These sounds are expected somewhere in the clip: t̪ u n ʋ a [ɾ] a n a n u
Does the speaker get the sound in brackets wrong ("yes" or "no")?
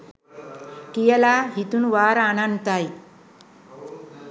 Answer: no